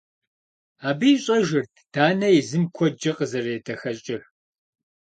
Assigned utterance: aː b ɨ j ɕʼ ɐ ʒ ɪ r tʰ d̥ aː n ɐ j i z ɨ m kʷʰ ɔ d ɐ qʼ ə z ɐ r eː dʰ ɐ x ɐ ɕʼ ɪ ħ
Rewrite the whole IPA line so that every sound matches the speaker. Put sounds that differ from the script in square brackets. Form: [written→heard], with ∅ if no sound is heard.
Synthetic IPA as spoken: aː b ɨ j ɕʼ ɐ ʒ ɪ r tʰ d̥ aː n ɐ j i z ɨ m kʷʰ ɔ [d→d͡ʒ] ɐ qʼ ə z ɐ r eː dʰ ɐ x ɐ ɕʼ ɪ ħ

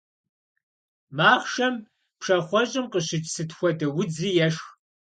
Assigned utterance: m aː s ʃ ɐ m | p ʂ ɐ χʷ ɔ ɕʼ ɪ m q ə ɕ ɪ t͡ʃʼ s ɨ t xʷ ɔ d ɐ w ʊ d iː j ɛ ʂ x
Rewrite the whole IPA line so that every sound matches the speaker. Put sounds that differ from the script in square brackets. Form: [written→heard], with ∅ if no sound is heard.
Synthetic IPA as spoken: m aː [s→χ] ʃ ɐ m | p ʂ ɐ χʷ ɔ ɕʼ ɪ m q ə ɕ ɪ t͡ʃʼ s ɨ t xʷ ɔ d ɐ w ʊ [d→d͡z] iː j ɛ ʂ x

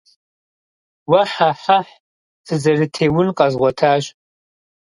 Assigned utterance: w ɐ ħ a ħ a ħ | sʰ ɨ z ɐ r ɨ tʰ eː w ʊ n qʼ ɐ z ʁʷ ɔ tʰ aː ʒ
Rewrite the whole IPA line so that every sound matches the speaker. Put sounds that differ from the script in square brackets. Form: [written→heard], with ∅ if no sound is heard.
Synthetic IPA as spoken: w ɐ ħ a ħ a ħ | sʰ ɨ z ɐ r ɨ tʰ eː w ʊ n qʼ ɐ z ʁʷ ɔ tʰ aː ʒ

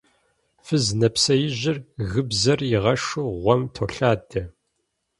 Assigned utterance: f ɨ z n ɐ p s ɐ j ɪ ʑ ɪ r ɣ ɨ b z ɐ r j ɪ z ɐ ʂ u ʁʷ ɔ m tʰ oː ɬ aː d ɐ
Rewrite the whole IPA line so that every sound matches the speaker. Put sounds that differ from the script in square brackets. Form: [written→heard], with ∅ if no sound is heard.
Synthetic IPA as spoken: f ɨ z n ɐ p s ɐ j ɪ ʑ ɪ r ɣ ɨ b z ɐ r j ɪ [z→ʁ] ɐ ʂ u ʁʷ ɔ m tʰ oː ɬ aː d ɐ

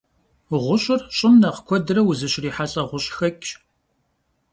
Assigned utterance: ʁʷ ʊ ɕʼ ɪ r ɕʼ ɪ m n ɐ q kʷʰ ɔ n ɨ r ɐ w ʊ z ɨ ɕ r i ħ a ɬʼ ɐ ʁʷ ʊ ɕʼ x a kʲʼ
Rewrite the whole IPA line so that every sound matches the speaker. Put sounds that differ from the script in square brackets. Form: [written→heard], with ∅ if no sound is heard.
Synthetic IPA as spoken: ʁʷ ʊ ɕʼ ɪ r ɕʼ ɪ m n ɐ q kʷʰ ɔ [n→d] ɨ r ɐ w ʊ z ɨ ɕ r [i→iː] ħ a ɬʼ ɐ ʁʷ ʊ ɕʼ x [a→ɐ] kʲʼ

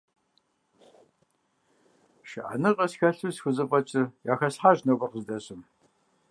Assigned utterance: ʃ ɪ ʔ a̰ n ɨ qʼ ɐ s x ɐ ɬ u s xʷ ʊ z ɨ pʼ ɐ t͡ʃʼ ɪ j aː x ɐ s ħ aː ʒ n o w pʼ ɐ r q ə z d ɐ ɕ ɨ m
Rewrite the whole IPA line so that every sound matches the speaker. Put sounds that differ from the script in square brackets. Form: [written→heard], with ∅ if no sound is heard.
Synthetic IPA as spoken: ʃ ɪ ʔ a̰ n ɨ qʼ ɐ s x ɐ ɬ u s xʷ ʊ z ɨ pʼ ɐ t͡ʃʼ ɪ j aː x ɐ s ħ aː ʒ n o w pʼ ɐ r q ə z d ɐ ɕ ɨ m

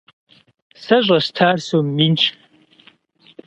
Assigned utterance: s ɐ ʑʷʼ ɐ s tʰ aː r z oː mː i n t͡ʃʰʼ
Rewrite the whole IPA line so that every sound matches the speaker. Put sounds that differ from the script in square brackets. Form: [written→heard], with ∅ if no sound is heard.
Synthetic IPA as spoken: s ɐ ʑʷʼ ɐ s tʰ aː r [z→s] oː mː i n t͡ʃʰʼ

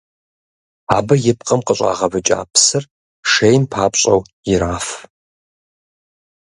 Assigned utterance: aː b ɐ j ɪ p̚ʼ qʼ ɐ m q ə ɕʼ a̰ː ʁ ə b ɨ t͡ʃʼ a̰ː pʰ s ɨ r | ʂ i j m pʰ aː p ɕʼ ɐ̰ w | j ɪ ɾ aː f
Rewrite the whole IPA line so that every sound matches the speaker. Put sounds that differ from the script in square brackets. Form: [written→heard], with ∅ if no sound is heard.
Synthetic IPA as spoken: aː b ɐ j ɪ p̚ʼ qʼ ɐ m q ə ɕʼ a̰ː ʁ [ə→ɐ] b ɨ t͡ʃʼ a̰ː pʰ s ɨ r | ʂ [i→e] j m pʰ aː p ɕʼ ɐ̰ w | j ɪ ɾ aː f

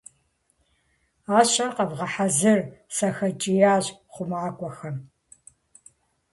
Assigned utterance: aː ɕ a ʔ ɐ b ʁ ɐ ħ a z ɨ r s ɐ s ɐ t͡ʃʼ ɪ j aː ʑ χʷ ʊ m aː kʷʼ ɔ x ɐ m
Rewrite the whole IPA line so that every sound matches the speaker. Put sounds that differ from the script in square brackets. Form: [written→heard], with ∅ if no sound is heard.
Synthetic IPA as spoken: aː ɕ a [ʔ→q] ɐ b ʁ ɐ ħ a z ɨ r s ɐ [s→x] ɐ t͡ʃʼ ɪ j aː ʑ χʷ ʊ m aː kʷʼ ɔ x ɐ m

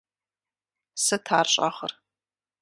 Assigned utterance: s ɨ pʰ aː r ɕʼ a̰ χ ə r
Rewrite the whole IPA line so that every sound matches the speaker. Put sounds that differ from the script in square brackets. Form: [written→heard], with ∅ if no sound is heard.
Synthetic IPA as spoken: s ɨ [pʰ→tʰ] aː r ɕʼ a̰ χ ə r

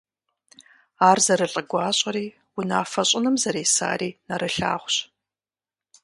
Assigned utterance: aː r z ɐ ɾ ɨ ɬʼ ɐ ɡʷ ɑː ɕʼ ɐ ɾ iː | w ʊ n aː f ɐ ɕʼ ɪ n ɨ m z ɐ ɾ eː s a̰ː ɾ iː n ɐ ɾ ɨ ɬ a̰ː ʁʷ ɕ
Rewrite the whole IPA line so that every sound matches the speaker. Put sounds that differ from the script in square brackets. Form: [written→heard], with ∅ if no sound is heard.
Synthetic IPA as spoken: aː r z ɐ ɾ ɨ ɬʼ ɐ ɡʷ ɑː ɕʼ ɐ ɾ iː | w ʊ n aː f ɐ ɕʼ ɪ n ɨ m z ɐ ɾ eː s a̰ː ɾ iː n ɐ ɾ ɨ ɬ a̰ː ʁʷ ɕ

